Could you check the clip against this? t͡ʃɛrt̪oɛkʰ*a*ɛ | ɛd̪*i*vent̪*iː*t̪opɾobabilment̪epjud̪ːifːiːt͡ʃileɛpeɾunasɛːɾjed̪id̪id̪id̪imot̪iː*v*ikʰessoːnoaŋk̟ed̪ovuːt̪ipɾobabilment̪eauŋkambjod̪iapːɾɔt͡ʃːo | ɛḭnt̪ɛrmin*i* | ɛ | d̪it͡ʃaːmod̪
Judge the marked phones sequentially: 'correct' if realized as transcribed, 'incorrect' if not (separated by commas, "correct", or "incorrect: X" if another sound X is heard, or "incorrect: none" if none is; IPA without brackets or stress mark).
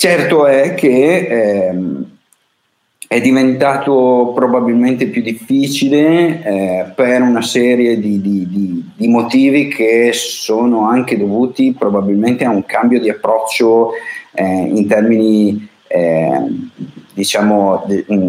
incorrect: e, correct, incorrect: aː, correct, correct